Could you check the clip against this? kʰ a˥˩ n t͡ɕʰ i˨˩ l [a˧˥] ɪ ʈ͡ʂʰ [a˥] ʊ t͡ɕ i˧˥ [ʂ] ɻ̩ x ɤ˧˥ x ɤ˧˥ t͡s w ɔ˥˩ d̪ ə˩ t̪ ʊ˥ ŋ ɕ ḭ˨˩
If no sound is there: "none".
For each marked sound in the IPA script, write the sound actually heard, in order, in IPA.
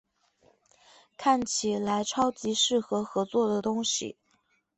a˧˥, ɑ˥, ʂ

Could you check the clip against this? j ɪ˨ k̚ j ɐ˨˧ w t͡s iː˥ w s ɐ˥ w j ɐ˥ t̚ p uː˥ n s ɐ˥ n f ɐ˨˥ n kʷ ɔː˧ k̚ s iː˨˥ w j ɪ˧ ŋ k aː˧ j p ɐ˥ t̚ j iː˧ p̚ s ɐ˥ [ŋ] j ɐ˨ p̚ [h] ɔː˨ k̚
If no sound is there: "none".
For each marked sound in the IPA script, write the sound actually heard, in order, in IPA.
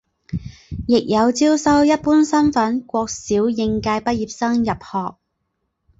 ŋ, h

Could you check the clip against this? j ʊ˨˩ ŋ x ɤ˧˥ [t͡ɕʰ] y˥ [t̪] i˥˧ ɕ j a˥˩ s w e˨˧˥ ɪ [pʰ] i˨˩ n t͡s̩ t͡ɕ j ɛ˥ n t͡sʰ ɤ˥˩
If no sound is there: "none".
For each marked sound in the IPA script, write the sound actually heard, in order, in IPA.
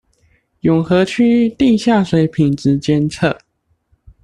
t͡ɕʰ, t̪, pʰ

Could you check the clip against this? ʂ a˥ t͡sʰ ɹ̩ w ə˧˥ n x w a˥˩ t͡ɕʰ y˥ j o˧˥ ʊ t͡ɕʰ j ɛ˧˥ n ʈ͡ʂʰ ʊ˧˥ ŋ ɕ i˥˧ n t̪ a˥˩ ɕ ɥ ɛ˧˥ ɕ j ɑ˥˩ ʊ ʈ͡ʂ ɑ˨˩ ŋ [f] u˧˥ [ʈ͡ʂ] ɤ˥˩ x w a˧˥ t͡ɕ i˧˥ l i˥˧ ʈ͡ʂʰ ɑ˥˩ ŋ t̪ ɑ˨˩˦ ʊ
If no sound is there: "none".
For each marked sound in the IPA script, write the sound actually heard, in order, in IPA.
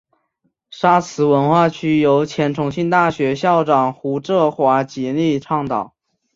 x, ʈ͡ʂ

